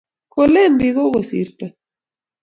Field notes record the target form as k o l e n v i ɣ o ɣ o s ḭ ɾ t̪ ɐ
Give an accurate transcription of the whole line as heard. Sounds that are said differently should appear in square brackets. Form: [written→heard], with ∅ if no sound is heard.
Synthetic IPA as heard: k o l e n [v→b] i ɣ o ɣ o s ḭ ɾ t̪ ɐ